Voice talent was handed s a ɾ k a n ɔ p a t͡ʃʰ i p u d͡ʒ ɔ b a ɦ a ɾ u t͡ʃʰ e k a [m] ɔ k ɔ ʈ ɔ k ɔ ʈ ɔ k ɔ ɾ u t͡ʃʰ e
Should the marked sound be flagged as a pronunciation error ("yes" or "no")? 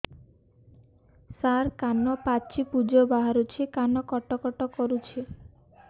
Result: yes